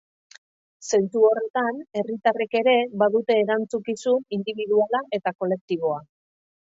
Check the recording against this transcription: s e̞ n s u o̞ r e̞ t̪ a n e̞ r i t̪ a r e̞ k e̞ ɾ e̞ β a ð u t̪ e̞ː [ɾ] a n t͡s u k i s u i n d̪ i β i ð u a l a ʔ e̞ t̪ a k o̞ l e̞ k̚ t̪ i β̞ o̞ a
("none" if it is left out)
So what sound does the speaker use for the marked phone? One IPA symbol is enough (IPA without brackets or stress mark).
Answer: ɾ